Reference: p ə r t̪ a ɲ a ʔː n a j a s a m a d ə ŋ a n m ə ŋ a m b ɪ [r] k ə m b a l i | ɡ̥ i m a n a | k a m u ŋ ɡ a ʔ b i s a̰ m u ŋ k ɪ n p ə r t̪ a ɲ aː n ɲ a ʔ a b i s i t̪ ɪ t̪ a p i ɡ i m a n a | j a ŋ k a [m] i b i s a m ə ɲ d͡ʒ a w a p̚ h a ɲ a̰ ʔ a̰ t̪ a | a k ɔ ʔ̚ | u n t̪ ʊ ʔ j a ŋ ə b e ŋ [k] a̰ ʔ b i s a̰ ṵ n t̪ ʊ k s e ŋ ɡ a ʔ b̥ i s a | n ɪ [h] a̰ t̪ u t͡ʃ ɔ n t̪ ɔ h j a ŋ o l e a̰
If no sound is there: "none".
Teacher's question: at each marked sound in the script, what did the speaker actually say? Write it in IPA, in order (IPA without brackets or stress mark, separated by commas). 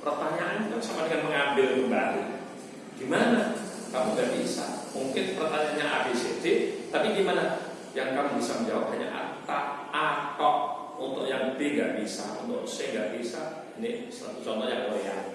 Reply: l, m, ɡ, s